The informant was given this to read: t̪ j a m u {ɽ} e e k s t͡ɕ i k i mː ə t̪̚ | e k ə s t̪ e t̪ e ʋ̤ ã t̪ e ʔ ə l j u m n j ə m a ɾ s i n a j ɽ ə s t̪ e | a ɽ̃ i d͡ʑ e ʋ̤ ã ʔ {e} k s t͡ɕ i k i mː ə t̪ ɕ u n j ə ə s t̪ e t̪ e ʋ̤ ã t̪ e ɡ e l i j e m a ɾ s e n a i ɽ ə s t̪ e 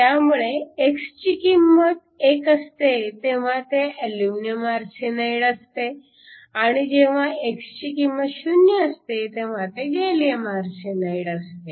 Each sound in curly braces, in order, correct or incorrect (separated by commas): incorrect, correct